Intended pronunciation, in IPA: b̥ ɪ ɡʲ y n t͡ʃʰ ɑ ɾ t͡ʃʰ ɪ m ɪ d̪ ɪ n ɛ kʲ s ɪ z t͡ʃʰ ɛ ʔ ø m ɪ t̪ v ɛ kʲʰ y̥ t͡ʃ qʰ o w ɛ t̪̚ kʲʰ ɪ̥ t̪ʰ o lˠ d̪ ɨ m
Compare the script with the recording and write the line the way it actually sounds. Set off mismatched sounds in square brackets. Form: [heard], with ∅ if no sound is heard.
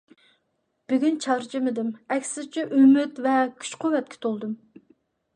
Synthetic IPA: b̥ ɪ ɡʲ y n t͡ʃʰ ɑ ɾ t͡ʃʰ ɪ m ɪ d̪ ɪ [m] ɛ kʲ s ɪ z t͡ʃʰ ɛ ʔ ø m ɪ t̪ v ɛ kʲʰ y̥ t͡ʃ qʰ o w ɛ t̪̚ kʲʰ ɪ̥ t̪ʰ o lˠ d̪ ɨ m